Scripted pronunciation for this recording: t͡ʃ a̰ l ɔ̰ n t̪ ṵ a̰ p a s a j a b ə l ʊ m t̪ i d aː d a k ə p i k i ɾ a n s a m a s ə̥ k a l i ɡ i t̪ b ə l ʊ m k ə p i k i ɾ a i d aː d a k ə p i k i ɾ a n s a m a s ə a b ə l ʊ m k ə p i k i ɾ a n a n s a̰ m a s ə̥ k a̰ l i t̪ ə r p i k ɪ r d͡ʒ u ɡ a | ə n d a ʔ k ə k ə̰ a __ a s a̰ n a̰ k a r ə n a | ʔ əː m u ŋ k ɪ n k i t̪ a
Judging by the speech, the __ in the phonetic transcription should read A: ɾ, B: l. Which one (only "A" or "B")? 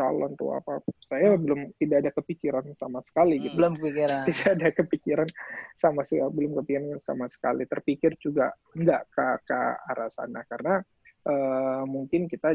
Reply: A